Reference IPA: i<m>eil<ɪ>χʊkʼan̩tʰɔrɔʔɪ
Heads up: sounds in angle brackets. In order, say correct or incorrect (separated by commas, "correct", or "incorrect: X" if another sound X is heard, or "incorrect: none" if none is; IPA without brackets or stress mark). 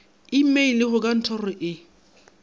correct, correct